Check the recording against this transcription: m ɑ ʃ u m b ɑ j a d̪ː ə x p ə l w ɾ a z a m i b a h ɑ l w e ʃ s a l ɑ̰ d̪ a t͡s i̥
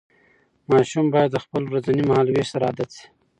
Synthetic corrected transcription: m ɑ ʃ u m b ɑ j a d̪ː ə x p ə l w ɾ a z a n i m a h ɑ l w e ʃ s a ɾ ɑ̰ d̪ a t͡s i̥